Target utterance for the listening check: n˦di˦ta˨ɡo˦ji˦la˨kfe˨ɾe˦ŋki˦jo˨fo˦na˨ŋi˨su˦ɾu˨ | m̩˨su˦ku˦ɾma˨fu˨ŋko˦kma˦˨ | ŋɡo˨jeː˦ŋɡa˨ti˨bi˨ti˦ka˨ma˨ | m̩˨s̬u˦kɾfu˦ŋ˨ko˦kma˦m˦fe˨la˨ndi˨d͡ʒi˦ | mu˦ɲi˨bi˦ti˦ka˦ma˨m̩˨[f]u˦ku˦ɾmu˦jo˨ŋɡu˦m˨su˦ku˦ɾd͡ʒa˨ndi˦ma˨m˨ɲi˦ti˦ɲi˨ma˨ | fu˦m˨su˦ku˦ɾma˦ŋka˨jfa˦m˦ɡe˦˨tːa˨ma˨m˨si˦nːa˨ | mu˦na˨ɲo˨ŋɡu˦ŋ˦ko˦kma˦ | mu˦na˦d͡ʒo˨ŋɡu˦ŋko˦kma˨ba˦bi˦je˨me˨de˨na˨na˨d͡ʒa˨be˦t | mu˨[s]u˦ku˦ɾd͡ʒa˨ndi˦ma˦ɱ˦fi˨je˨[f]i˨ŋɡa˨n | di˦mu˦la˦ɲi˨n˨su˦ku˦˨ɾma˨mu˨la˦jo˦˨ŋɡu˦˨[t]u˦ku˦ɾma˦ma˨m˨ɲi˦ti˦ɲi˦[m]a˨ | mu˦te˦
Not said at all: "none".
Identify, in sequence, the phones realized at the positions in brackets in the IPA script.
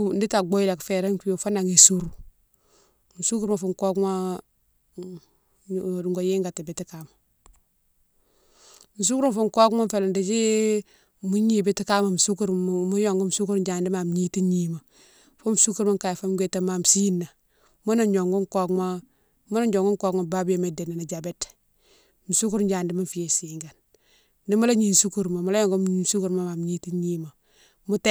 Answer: s, s, s, s, m

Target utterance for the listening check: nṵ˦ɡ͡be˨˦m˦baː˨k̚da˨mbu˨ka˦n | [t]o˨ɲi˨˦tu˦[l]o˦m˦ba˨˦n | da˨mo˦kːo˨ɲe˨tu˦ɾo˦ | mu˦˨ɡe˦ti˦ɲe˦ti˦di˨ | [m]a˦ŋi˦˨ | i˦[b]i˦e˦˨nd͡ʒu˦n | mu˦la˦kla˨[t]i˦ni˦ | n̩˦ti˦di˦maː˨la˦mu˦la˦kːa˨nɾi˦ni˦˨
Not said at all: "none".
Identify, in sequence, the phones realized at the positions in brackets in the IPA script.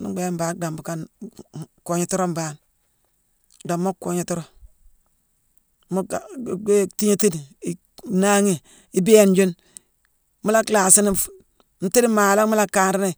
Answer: k, ɾ, n, b, s

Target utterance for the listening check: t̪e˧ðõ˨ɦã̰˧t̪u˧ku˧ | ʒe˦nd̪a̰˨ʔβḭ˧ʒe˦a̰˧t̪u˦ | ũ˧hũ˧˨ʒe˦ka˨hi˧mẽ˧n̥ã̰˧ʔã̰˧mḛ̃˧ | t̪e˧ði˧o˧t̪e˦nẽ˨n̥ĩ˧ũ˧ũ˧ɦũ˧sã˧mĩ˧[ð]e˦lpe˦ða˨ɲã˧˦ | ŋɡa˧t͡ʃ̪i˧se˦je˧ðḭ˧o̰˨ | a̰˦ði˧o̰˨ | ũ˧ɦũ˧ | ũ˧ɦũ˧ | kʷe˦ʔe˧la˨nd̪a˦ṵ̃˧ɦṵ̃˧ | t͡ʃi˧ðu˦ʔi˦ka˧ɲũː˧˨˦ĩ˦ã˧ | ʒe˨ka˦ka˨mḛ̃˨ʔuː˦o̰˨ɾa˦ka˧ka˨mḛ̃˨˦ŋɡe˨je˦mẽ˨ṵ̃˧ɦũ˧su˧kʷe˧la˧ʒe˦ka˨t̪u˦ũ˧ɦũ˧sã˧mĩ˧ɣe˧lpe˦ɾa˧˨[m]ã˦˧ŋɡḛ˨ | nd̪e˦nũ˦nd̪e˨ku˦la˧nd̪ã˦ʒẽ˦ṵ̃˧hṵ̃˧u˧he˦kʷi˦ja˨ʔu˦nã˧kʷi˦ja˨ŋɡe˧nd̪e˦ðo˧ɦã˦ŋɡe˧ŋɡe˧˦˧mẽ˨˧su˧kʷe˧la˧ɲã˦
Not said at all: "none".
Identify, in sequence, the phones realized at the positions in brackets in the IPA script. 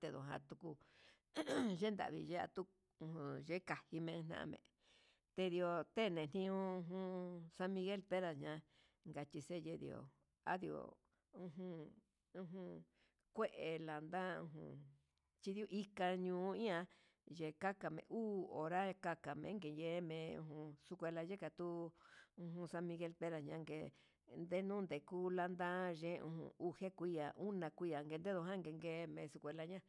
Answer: ɣ, ɲ

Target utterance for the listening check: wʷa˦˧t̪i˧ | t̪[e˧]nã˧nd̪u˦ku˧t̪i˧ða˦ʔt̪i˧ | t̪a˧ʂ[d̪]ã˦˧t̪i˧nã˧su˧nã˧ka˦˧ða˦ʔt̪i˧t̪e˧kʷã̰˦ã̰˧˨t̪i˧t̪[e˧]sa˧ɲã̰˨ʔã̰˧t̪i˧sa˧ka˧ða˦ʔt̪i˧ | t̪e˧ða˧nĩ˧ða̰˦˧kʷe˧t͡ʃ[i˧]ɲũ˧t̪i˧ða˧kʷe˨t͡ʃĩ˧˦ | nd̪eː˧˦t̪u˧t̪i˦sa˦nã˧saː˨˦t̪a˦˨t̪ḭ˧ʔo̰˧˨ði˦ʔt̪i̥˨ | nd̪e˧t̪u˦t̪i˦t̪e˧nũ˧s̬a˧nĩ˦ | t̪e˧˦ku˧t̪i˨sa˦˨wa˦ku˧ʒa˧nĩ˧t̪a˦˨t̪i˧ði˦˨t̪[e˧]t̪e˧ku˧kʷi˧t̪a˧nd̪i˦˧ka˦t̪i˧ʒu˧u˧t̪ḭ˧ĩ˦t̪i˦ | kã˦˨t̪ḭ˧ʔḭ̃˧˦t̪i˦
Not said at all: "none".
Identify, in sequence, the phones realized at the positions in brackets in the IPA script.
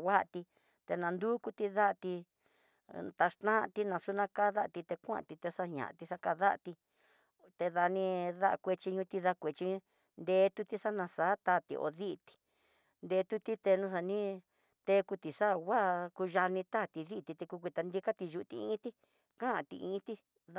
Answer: e˧, t̪, e˧, i˧, i˧

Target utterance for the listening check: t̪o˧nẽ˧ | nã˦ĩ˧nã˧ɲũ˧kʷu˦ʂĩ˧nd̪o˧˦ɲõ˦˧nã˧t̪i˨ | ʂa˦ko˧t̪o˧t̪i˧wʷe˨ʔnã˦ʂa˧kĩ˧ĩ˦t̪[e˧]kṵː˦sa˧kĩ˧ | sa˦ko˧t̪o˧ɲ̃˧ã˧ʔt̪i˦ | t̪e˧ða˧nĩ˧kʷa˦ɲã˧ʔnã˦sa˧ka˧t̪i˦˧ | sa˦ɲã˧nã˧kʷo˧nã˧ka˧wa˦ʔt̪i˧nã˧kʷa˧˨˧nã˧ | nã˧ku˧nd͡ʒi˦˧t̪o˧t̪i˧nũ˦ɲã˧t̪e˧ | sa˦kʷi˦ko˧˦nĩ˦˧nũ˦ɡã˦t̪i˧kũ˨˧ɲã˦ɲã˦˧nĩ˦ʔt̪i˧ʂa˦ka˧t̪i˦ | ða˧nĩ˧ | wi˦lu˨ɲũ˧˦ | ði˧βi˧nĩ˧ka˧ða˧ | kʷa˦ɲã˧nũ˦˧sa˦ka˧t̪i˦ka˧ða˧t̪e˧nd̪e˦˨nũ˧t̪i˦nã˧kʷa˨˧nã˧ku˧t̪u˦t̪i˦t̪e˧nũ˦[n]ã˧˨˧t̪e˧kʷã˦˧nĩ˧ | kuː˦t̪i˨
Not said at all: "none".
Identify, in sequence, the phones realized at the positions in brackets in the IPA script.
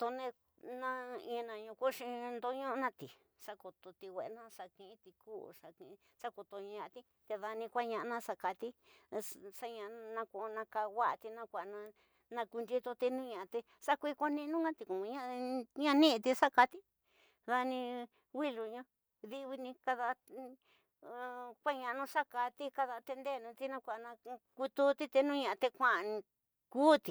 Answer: i˧, ɲ

